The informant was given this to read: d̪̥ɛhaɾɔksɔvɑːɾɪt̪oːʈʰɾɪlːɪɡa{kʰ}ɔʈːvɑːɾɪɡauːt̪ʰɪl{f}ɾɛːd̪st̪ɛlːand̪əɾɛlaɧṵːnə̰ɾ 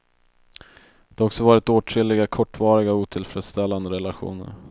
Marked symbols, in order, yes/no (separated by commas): yes, yes